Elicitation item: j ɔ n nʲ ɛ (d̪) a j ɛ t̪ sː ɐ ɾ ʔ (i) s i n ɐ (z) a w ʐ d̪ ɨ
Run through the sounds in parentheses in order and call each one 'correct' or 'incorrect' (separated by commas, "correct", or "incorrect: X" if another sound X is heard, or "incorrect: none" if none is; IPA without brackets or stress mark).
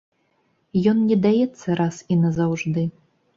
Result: correct, incorrect: a, correct